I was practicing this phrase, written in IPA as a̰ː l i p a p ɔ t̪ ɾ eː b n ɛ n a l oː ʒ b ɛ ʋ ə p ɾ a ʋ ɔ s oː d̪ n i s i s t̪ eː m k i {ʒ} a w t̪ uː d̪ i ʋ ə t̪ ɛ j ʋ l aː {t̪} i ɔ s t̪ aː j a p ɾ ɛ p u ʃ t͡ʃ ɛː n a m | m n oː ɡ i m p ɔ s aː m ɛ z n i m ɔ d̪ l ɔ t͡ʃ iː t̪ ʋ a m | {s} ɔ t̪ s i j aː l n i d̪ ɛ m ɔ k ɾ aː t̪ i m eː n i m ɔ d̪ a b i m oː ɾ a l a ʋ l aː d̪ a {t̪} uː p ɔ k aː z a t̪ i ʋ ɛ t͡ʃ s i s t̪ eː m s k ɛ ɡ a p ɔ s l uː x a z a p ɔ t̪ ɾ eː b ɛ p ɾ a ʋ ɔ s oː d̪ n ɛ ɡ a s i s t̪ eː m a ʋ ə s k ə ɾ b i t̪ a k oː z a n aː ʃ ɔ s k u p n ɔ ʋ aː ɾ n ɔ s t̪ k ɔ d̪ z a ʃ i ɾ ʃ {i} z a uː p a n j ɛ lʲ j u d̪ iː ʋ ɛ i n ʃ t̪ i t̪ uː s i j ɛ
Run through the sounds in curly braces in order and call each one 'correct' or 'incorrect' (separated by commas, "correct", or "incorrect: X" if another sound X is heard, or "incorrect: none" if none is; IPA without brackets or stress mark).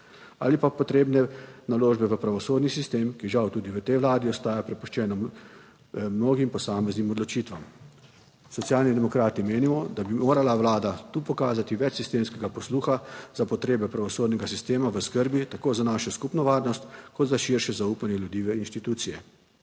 correct, incorrect: d̪, correct, correct, incorrect: ɛ